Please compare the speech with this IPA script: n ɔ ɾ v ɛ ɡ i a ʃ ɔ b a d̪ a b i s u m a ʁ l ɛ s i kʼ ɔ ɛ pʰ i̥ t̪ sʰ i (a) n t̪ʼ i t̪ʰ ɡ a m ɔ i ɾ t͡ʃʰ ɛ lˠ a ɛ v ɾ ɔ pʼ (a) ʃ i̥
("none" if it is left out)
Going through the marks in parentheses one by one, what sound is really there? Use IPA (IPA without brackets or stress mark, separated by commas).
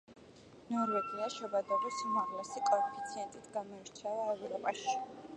ɛ, a